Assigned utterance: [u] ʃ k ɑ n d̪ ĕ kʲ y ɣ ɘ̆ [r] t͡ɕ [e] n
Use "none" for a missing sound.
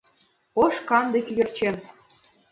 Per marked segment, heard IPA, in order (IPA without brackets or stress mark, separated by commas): o, r, e